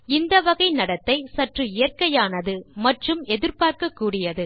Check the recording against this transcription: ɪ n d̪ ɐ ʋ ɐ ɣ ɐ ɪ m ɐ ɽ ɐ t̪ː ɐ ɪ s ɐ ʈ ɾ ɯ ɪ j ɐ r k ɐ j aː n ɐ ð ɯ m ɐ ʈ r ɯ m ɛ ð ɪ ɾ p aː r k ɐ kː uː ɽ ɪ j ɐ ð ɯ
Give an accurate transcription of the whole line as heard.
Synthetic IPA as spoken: ɪ n d̪ ɐ ʋ ɐ ɣ ɐ ɪ n ɐ ɽ ɐ t̪ː ɐ ɪ s ɐ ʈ r ɯ ɪ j ɐ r k ɐ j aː n ɐ ð ɯ m ɐ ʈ r ɯ m ɛ ð ɪ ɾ p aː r k ɐ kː uː ɽ ɪ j ɐ ð ɯ